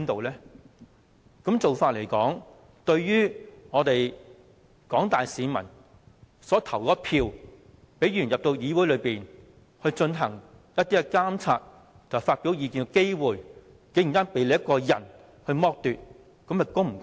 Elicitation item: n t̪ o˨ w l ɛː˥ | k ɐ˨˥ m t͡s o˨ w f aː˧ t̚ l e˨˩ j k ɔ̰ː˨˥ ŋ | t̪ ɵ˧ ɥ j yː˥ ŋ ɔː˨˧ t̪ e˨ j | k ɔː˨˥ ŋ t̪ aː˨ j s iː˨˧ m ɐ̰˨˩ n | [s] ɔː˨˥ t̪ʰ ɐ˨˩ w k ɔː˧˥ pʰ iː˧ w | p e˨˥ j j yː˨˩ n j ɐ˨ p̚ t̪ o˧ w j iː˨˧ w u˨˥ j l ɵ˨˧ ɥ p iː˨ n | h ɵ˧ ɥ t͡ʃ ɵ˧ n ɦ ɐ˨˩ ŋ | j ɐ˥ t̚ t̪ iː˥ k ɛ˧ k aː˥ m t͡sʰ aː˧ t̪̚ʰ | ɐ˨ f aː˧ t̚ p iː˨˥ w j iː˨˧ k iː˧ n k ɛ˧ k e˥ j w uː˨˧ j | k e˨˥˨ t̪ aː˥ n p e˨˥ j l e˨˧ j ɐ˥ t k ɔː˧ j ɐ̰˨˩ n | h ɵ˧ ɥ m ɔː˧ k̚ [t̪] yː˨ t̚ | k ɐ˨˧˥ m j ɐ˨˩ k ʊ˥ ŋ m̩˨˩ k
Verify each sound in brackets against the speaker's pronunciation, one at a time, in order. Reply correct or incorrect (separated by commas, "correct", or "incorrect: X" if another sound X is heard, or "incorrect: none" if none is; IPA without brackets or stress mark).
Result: correct, correct